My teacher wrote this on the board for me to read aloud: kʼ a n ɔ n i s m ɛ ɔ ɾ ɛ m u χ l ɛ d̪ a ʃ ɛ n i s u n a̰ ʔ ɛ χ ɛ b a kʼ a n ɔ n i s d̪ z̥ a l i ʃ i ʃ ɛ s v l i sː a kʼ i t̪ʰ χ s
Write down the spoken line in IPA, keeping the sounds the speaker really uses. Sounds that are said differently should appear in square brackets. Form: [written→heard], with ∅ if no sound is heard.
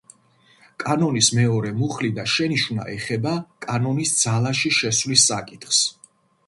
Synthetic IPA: kʼ a n ɔ n i s m ɛ ɔ ɾ ɛ m u χ l [ɛ→i] d̪ a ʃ ɛ n i [s→ʃ] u n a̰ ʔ ɛ χ ɛ b a kʼ a n ɔ n i s d̪ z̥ a l [i→a] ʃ i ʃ ɛ s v l i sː a kʼ i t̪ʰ χ s